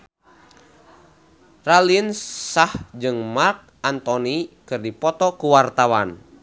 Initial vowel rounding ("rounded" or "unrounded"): unrounded